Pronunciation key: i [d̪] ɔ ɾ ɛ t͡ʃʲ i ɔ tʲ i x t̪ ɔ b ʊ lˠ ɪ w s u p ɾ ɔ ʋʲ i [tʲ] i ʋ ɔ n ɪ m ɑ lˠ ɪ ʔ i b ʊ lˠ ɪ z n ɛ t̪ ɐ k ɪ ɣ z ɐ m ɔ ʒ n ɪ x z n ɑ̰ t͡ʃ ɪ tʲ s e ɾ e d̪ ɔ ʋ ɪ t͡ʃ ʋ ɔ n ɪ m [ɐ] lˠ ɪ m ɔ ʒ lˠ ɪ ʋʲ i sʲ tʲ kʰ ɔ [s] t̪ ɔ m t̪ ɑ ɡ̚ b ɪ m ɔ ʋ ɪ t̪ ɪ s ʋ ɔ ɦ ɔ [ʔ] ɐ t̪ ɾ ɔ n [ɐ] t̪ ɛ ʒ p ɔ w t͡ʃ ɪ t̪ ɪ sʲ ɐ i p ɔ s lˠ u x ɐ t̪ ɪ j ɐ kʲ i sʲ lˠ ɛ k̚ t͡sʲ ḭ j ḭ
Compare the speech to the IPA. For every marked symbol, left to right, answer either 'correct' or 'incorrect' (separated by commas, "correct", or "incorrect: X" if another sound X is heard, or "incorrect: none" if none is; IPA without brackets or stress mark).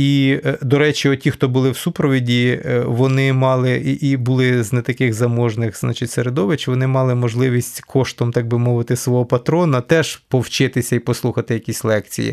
correct, incorrect: dʲ, incorrect: ɑ, incorrect: ʃ, incorrect: p, correct